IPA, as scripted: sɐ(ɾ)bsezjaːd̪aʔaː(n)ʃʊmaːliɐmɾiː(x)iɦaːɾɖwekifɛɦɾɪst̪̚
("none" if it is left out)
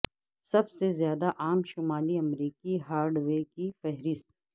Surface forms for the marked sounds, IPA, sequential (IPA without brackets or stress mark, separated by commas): none, m, k